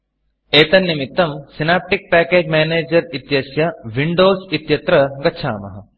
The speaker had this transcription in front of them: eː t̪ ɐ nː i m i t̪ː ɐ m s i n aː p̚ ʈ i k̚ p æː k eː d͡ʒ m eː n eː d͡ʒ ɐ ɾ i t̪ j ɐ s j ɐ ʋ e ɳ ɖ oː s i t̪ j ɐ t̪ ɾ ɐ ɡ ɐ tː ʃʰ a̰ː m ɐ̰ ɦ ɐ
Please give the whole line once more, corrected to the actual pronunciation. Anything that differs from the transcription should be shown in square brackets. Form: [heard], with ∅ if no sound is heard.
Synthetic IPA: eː t̪ ɐ nː i m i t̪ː ɐ m s i n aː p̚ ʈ i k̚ p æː k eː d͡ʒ m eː n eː d͡ʒ ɐ ɾ i t̪ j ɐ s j ɐ ʋ [i] ɳ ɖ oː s i t̪ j ɐ t̪ ɾ ɐ ɡ ɐ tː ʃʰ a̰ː m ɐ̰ ɦ ɐ

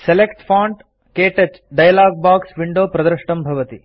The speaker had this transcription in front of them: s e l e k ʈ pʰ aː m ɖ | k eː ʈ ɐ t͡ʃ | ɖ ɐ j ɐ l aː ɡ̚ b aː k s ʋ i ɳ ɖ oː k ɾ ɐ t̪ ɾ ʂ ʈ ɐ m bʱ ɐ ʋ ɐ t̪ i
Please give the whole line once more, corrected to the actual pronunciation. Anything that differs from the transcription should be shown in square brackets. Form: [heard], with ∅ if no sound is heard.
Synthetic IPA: s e l e k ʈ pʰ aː [ɳ] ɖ | k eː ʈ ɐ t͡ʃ | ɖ ɐ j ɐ l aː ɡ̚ b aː k s ʋ i ɳ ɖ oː [p] ɾ ɐ [d̪] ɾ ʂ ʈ ɐ m bʱ ɐ ʋ ɐ t̪ i

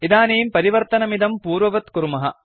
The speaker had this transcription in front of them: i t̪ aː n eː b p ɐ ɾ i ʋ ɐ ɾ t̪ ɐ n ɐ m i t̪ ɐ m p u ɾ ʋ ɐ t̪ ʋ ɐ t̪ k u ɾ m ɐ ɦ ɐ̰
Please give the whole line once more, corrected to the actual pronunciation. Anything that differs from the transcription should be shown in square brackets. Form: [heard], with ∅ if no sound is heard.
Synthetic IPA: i [d̪] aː n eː [m] p ɐ ɾ i ʋ ɐ ɾ t̪ ɐ n ɐ m i [d̪] ɐ m p [uː] ɾ ʋ ɐ [∅] ʋ ɐ t̪ k u ɾ m ɐ ɦ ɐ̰

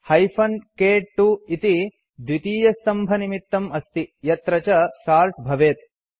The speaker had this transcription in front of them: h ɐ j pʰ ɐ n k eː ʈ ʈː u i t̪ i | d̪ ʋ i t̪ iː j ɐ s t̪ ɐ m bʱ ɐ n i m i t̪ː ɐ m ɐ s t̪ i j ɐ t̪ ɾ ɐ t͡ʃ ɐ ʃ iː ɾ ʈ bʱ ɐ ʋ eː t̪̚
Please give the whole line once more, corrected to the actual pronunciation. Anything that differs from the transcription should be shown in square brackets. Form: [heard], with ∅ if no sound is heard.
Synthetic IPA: h ɐ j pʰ ɐ n k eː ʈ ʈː u i t̪ i | d̪ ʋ i t̪ iː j ɐ s t̪ ɐ m bʱ ɐ n i m i t̪ː ɐ m ɐ s t̪ i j ɐ t̪ ɾ ɐ t͡ʃ ɐ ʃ [aː] ɾ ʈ bʱ ɐ ʋ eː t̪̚

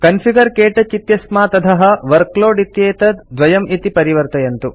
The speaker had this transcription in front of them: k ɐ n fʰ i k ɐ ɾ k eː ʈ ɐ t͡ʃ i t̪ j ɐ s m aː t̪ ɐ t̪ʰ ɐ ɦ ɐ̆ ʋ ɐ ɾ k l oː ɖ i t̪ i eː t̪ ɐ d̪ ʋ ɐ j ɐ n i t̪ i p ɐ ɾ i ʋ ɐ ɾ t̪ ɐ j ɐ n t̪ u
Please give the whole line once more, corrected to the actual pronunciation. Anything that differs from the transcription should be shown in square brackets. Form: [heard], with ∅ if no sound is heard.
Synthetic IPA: k ɐ n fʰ i [ɡ] ɐ ɾ k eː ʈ ɐ t͡ʃ i t̪ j ɐ s m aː t̪ ɐ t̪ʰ ɐ ɦ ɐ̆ ʋ ɐ ɾ k l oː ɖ i t̪ [j] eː t̪ ɐ d̪ ʋ ɐ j ɐ [m] i t̪ i p ɐ ɾ i ʋ ɐ ɾ t̪ ɐ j ɐ n t̪ u

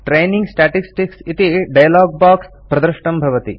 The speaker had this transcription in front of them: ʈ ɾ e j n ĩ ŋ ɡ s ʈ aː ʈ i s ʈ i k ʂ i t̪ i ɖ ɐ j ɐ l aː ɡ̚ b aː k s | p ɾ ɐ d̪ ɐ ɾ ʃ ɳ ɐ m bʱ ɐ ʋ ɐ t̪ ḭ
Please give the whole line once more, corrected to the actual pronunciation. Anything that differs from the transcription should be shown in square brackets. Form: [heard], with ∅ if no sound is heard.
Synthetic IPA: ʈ ɾ e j n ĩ ŋ ɡ s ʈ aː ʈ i s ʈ i k [s] i t̪ i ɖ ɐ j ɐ l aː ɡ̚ b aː k s | p ɾ ɐ d̪ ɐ ɾ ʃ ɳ ɐ m bʱ ɐ ʋ ɐ t̪ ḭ

